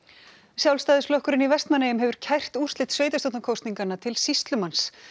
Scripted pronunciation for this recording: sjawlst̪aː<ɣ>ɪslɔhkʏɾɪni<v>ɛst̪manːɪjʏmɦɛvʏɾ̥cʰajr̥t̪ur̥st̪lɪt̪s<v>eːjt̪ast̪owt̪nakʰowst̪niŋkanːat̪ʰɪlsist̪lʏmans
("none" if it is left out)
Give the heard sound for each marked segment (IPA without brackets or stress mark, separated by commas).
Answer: ð, v, v